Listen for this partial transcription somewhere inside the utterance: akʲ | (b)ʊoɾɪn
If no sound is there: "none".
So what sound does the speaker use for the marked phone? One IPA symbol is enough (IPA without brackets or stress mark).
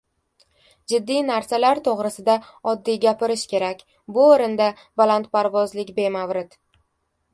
b